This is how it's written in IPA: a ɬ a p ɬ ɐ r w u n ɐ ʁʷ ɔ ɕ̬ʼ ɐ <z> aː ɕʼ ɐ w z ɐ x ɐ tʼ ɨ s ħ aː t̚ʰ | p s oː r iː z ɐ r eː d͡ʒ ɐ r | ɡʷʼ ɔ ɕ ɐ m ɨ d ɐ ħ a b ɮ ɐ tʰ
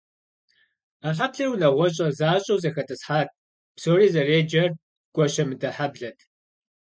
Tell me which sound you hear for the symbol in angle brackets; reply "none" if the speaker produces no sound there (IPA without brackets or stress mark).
z